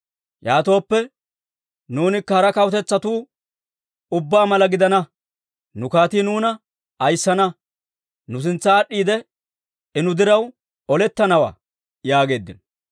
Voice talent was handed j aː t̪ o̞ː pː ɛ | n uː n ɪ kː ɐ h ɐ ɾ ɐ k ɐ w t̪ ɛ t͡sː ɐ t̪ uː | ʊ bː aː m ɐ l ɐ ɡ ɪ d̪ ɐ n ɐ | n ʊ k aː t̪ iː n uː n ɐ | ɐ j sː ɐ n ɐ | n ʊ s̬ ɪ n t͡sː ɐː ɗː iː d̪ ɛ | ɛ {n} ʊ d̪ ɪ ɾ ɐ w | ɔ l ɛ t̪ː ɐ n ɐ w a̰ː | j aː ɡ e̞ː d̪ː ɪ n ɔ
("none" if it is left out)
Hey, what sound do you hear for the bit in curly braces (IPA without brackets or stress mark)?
n